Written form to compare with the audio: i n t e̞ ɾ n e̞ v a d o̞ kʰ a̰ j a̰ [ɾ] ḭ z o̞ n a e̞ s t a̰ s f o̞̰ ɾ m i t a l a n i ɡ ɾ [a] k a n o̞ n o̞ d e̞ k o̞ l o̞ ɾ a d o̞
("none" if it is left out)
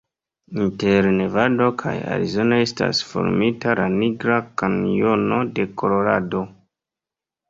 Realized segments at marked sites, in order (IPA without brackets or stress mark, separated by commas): ɾ, a